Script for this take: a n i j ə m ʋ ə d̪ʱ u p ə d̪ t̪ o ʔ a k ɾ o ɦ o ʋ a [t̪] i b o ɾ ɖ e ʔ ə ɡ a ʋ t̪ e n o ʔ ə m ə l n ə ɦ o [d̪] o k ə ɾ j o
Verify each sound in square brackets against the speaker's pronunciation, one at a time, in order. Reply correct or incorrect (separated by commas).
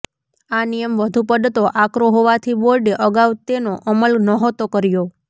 incorrect, incorrect